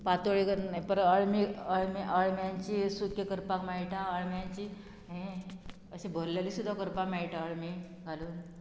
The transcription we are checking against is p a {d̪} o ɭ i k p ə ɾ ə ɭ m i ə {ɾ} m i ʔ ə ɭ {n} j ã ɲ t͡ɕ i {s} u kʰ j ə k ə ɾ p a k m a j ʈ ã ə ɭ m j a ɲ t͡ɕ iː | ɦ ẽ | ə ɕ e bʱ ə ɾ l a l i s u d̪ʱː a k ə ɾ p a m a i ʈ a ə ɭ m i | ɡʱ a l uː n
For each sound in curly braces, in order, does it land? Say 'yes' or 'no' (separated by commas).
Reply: no, no, no, yes